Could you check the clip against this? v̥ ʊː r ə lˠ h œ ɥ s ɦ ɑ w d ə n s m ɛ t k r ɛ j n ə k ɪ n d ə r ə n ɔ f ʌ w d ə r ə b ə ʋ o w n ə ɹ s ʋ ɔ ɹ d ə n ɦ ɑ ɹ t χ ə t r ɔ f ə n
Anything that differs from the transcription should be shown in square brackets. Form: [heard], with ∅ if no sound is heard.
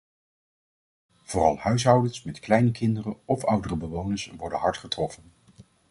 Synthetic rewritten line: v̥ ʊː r [ɑ] lˠ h œ ɥ s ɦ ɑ w d ə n s m ɛ t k [l] ɛ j n ə k ɪ n d ə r ə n ɔ f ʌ w d ə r ə b ə ʋ o w n ə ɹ s ʋ ɔ ɹ d ə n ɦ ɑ ɹ t χ ə t r ɔ f ə n